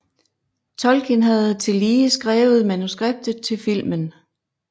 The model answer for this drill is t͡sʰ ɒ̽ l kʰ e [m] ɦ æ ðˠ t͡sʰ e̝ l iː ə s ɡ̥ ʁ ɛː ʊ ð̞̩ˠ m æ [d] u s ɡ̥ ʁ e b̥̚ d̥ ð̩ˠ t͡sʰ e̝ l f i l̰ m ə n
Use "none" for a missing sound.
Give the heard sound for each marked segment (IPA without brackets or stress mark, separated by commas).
n, n